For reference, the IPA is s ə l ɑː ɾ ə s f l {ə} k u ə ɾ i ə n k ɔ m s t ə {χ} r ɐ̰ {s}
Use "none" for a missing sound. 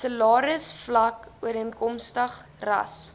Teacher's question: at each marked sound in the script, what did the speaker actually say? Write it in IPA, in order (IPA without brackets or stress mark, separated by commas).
ɐ, χ, s